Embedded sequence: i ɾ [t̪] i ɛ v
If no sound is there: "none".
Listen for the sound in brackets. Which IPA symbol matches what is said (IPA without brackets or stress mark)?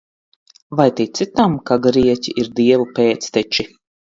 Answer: d̪